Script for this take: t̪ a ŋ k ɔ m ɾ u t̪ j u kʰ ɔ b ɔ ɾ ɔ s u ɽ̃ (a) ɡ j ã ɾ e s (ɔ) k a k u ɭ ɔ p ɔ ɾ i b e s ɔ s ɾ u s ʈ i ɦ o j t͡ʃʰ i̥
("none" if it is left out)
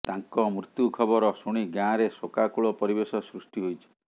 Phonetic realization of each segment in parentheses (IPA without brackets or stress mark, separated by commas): i, o